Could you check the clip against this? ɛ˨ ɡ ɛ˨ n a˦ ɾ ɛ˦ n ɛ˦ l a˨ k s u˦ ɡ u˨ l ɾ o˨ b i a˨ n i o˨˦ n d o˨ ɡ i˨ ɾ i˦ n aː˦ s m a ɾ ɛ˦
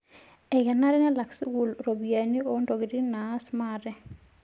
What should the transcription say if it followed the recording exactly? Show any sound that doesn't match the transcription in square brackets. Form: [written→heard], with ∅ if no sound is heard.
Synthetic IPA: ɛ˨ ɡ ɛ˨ n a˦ ɾ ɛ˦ n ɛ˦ l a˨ k s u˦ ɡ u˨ l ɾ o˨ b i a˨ n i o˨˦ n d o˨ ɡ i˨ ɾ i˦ n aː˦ s m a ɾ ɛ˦